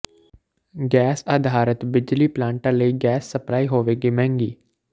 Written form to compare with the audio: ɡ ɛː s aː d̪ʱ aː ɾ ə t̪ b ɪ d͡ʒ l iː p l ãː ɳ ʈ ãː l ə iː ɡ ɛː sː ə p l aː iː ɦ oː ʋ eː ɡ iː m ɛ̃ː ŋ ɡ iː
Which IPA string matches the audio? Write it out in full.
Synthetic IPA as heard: ɡ ɛː s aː d̪ʱ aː ɾ ə t̪ b ɪ d͡ʒ l iː p l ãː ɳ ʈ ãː l ə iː ɡ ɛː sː ə p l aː iː ɦ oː ʋ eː ɡ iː m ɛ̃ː ŋ ɡ iː